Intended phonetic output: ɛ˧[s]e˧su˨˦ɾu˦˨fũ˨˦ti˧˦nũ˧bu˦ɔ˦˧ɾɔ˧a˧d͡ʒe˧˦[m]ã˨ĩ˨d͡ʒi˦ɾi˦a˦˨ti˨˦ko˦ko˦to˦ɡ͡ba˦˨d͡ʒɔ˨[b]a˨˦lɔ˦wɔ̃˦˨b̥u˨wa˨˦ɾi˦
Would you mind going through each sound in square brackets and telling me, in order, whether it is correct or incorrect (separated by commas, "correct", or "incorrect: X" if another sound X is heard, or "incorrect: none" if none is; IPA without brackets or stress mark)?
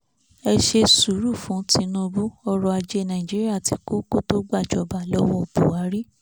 incorrect: ʃ, incorrect: n, correct